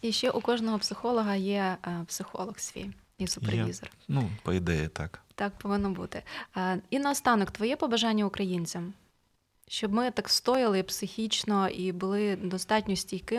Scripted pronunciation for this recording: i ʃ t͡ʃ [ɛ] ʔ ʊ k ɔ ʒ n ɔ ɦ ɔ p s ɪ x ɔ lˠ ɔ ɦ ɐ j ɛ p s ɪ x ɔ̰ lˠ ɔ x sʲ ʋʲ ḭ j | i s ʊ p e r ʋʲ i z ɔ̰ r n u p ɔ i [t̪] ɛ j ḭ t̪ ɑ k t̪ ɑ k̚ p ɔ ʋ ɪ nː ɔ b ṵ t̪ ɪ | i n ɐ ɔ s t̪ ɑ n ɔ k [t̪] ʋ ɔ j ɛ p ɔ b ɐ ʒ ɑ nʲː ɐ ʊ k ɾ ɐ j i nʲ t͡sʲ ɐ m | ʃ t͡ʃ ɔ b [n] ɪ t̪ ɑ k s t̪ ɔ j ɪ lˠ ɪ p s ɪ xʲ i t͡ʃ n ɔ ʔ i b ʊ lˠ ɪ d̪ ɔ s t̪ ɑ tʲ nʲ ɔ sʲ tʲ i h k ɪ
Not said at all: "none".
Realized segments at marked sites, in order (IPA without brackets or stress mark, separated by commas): ɛ, d̪, t̪, m